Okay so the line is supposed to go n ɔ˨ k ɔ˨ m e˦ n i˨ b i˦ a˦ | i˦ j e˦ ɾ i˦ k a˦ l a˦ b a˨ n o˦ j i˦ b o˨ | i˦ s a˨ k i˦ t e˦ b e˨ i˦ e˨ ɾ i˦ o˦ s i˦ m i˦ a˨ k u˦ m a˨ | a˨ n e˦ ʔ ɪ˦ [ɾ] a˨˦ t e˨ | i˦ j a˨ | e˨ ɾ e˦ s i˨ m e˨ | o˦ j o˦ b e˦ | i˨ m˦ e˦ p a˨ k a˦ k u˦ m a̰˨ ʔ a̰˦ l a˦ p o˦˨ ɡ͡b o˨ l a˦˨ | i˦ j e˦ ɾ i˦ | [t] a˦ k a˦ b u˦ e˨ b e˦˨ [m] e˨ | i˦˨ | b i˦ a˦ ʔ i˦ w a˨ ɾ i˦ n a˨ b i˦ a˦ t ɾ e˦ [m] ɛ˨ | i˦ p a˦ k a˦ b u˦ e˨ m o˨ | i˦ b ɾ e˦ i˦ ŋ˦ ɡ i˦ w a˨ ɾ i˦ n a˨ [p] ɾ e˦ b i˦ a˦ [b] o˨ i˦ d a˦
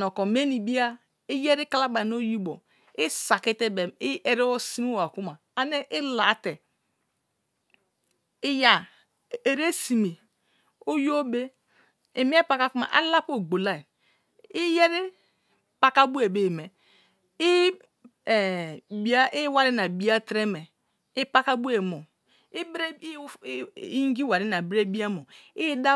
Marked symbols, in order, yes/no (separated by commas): no, no, yes, yes, no, no